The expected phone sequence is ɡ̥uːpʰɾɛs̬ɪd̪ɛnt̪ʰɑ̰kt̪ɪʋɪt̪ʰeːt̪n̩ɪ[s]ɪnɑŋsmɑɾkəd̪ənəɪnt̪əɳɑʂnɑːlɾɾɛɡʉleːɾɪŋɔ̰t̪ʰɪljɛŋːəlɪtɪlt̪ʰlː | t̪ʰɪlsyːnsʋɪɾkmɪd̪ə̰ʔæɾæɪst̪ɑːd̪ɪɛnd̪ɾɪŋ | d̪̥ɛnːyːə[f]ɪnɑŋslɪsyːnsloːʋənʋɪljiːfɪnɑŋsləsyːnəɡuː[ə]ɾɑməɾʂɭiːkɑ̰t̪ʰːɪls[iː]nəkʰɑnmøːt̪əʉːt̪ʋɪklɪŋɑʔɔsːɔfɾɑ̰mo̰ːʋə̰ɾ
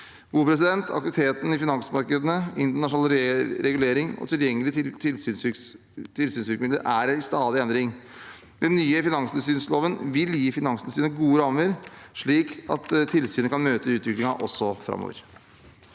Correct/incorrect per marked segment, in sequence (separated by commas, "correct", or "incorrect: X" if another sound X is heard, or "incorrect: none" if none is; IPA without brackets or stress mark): incorrect: f, correct, correct, incorrect: yː